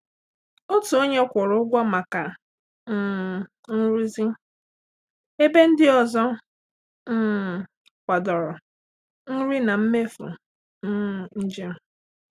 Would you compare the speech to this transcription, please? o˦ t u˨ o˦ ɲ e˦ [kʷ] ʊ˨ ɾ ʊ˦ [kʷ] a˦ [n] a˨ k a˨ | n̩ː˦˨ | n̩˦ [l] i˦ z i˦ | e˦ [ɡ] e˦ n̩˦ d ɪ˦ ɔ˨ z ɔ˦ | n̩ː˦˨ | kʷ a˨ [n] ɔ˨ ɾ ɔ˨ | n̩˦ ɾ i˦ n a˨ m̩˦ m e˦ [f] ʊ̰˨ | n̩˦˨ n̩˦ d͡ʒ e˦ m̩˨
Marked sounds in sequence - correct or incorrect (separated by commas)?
correct, incorrect, incorrect, incorrect, incorrect, incorrect, correct